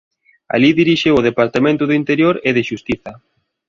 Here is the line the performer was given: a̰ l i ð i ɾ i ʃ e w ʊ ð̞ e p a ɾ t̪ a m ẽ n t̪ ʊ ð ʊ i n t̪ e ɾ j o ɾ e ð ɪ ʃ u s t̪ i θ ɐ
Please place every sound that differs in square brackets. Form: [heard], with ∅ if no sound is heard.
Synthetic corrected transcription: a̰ l i ð i ɾ i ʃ e w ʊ ð̞ e p a ɾ t̪ a m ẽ n t̪ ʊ ð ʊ i n t̪ e ɾ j o ɾ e ð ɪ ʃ u s t̪ i θ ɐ